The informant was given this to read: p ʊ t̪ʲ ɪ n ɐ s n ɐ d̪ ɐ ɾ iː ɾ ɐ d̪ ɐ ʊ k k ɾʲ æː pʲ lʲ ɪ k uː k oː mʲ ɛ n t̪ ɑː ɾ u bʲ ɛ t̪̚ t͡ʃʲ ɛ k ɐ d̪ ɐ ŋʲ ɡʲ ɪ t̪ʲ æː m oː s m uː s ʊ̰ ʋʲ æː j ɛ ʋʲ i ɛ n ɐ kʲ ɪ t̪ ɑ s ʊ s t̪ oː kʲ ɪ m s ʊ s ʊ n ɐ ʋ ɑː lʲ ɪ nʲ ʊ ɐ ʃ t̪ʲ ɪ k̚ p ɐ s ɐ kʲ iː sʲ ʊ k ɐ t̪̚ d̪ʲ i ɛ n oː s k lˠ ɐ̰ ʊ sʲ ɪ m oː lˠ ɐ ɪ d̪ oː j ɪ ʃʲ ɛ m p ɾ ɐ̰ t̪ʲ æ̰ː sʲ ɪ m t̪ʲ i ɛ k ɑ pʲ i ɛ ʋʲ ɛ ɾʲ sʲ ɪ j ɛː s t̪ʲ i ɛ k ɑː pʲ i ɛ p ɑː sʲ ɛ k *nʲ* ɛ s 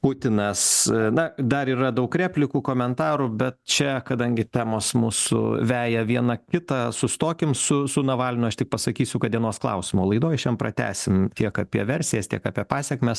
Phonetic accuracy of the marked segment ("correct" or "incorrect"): incorrect